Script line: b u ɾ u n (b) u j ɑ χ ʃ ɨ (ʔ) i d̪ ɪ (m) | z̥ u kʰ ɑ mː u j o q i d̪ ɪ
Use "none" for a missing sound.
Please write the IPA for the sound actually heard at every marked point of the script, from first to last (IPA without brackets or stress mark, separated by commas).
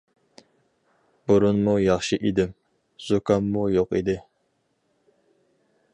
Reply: m, ʔ, m